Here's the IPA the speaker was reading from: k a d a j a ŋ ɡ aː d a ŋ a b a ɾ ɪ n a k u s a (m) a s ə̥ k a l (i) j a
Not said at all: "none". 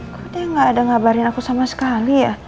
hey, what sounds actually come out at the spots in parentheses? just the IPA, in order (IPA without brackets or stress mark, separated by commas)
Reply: m, i